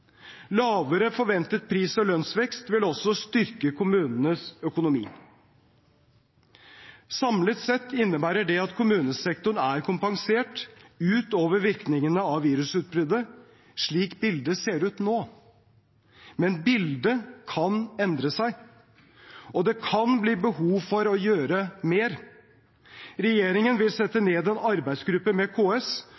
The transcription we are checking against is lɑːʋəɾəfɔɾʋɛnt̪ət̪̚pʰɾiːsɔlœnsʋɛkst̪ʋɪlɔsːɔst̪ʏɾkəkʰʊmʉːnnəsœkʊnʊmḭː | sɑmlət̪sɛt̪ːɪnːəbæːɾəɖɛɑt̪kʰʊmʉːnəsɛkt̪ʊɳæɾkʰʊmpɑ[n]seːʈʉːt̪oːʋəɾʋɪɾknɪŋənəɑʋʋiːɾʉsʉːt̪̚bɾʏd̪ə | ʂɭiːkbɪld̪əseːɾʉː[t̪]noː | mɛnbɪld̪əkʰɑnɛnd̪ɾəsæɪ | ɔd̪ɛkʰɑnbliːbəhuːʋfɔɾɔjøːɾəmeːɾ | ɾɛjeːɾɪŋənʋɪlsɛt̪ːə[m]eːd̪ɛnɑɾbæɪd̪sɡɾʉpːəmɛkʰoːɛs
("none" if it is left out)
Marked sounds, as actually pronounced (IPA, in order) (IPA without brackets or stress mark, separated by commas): ŋ, t̪, n